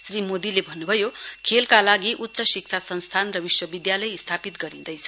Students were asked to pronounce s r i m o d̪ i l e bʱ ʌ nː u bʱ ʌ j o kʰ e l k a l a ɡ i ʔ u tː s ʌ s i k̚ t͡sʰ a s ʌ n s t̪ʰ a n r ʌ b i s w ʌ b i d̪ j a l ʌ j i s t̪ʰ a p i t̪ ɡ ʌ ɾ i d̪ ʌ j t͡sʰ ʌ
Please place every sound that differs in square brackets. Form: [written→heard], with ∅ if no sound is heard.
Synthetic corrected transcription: s r i m o d̪ i l e bʱ ʌ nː u bʱ ʌ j o kʰ e l k a l a ɡ i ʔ u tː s ʌ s i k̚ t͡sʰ a s ʌ n s t̪ʰ a n r ʌ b i s w ʌ b i d̪ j a l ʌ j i s t̪ʰ a p i t̪ ɡ ʌ ɾ i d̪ ʌ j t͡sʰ ʌ